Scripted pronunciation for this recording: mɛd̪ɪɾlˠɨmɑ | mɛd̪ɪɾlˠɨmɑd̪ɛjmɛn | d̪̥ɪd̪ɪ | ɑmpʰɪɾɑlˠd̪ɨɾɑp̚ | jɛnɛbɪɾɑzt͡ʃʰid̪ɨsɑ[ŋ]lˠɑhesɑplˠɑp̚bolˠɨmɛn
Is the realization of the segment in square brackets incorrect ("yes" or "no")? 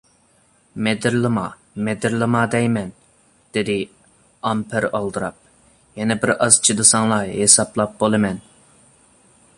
no